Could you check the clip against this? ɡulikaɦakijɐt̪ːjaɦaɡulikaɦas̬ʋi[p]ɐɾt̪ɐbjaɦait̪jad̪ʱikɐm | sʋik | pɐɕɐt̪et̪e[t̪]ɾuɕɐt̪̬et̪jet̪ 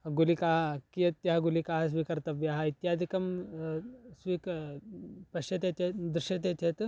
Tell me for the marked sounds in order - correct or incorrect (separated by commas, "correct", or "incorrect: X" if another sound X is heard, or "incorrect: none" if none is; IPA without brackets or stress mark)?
incorrect: k, incorrect: d̪